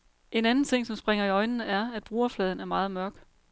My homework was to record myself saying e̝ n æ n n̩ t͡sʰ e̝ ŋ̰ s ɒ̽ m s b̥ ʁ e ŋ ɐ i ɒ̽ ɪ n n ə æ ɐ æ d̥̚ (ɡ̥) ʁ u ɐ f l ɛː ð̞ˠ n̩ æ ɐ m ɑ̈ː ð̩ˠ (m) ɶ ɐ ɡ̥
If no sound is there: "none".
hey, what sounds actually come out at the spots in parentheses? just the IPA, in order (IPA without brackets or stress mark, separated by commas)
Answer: b̥, m